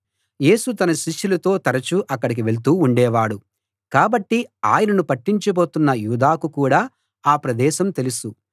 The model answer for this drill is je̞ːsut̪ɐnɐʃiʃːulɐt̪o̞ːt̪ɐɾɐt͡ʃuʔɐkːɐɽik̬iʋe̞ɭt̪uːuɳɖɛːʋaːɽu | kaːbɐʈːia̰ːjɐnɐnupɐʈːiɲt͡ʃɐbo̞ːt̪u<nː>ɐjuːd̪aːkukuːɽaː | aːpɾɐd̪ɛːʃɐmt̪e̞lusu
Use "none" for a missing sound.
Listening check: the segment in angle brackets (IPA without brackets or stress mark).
nː